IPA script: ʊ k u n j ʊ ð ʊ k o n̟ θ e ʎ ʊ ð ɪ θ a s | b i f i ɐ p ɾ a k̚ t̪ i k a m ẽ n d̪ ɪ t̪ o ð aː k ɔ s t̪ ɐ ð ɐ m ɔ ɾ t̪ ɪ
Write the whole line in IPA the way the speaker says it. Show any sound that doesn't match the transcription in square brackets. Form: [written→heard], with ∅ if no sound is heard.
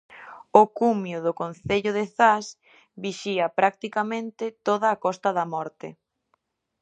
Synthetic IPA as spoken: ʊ k u [n→m] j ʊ ð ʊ k o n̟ θ e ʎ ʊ ð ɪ θ a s | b i [f→ʃ] i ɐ p ɾ a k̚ t̪ i k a m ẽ n [d̪→t̪] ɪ t̪ o ð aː k ɔ s t̪ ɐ ð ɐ m ɔ ɾ t̪ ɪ